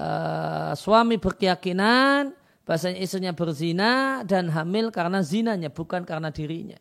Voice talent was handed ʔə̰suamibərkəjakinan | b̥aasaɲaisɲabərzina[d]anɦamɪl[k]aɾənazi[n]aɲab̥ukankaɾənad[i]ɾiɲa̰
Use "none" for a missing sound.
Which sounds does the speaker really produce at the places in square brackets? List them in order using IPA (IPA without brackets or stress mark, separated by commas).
d, k, n, i